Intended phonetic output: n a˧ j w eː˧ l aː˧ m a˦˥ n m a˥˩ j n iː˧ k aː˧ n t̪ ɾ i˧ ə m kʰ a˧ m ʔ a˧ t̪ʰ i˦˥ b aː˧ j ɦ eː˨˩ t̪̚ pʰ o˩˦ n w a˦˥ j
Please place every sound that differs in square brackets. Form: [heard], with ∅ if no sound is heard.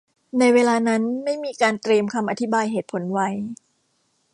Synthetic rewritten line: n a˧ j w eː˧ l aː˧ [n] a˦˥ n m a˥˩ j [m] iː˧ k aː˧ n t̪ ɾ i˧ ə m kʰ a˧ m ʔ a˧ t̪ʰ i˦˥ b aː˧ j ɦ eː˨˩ t̪̚ pʰ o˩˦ n w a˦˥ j